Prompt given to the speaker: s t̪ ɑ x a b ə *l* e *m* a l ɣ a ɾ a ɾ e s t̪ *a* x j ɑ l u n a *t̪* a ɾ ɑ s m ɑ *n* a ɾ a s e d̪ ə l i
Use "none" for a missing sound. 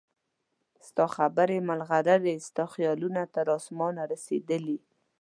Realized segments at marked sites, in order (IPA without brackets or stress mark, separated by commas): ɾ, m, ɑ, t̪, n